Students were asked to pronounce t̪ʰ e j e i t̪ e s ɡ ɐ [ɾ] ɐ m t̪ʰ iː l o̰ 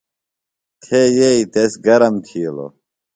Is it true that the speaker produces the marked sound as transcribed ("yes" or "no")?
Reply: yes